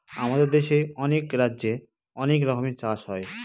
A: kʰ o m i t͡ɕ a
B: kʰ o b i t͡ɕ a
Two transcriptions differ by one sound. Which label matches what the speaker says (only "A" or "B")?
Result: A